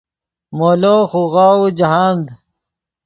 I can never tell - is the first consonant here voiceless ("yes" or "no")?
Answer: no